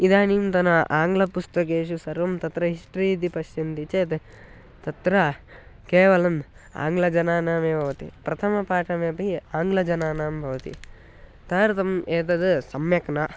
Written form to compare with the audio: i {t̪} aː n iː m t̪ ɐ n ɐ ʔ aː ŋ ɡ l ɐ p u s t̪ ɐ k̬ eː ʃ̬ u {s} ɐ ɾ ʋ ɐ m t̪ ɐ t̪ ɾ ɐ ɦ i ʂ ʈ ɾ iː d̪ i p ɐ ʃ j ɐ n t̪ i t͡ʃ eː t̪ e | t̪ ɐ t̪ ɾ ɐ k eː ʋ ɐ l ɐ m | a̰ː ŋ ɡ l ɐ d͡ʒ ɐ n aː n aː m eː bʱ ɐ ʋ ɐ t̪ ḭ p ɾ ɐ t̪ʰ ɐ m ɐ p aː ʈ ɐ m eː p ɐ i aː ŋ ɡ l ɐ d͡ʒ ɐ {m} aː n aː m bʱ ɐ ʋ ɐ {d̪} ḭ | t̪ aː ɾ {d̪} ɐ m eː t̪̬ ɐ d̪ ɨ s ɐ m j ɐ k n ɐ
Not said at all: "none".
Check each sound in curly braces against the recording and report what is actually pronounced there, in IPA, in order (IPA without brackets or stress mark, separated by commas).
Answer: d̪, s, n, t̪, t̪